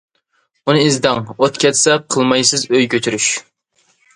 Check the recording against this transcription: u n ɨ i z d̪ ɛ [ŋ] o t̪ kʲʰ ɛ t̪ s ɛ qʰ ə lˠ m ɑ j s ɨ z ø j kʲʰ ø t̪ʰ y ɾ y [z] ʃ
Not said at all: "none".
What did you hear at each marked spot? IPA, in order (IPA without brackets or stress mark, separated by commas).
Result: ŋ, none